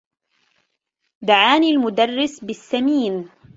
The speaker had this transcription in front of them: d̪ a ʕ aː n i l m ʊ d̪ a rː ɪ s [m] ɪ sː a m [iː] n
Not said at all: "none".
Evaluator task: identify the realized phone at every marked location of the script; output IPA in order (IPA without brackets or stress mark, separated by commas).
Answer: b, iː